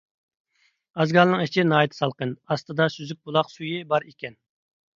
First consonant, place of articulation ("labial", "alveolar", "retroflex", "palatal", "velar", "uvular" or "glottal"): alveolar